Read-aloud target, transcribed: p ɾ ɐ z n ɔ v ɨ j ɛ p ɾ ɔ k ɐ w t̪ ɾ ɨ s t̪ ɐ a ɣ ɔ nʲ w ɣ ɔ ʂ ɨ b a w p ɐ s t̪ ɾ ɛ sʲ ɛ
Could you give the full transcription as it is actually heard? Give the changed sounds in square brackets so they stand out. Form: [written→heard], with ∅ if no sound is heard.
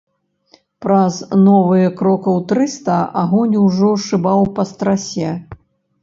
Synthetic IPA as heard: p ɾ ɐ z n ɔ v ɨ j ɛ [p→k] ɾ ɔ k ɐ w t̪ ɾ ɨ s t̪ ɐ a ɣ ɔ nʲ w [ɣ→ʐ] ɔ ʂ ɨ b a w p ɐ s t̪ ɾ [ɛ→a] sʲ ɛ